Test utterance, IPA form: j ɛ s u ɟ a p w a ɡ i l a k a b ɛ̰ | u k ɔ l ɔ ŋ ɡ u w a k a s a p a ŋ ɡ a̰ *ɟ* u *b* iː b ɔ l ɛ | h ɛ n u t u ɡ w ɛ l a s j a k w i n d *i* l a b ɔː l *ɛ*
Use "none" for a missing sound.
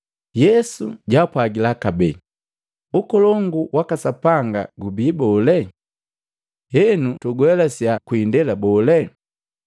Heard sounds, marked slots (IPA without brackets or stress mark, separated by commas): ɡ, b, ɛ, ɛ